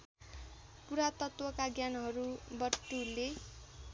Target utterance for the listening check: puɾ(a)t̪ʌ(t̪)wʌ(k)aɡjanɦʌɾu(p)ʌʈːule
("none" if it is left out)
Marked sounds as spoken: a, t̪, k, b

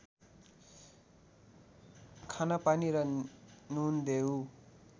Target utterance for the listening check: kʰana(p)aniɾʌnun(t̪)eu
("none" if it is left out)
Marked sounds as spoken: p, d̪

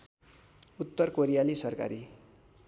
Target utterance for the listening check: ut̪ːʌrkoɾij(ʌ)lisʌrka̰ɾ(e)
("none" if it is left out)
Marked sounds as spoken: a, i

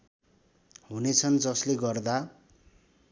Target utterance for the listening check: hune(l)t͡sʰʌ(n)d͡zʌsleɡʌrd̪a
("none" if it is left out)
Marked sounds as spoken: none, n

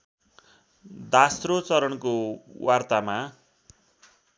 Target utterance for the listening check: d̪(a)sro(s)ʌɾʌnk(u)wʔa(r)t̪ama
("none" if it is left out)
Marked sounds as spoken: a, t͡s, o, r

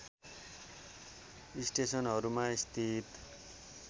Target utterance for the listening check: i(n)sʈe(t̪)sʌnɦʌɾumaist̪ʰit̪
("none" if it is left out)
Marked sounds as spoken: none, none

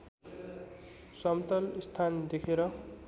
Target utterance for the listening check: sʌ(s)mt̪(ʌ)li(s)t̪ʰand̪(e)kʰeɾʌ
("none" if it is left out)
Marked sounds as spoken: none, ʌ, s, e

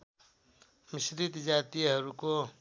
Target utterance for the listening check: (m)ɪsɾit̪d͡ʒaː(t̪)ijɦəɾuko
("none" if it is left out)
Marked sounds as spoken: m, t̪

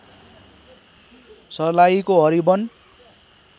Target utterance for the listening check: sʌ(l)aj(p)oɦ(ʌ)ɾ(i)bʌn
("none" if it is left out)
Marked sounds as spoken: l, k, ʌ, i

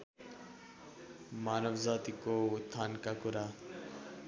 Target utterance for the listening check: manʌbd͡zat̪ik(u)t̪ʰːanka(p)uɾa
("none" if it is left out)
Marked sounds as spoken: o, k

